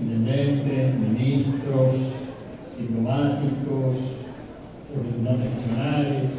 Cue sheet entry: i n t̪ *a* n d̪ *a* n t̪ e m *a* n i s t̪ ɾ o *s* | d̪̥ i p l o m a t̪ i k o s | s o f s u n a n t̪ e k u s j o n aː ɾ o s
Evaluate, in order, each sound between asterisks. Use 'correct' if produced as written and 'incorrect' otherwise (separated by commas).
incorrect, incorrect, incorrect, correct